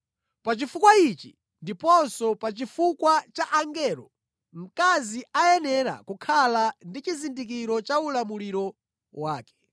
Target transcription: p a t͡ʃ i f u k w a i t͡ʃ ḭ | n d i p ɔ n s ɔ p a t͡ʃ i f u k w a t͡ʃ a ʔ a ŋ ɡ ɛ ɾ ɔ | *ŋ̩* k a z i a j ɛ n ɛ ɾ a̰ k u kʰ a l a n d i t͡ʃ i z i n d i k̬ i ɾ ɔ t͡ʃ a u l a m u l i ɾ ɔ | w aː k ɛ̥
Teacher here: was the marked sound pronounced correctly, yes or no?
no